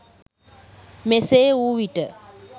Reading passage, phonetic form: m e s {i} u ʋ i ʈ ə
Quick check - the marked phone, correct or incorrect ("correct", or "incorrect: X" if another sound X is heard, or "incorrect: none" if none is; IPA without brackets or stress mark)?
incorrect: e